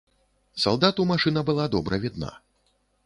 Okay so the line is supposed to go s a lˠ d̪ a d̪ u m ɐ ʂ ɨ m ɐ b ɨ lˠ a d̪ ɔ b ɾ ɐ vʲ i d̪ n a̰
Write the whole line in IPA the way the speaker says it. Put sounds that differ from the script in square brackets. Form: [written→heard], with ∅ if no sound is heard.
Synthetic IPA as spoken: s a lˠ d̪ a [d̪→t̪] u m [ɐ→a] ʂ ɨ [m→n] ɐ b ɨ lˠ a d̪ ɔ b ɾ ɐ vʲ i d̪ n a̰